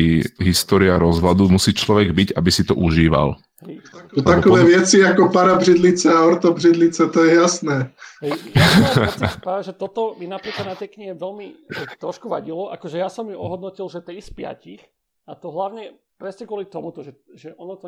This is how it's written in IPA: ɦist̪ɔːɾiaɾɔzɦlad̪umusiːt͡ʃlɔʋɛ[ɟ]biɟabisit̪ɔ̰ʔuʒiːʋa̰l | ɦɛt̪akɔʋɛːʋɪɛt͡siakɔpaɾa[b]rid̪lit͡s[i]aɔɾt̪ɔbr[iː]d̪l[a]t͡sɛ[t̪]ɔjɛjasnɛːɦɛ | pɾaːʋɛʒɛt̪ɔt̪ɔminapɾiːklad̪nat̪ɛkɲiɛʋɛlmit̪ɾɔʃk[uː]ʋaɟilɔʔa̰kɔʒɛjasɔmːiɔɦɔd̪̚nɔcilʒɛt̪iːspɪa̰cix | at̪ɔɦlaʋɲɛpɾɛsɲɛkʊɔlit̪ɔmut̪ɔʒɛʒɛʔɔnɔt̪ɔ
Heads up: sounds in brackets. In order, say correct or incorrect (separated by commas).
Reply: incorrect, correct, incorrect, incorrect, incorrect, correct, incorrect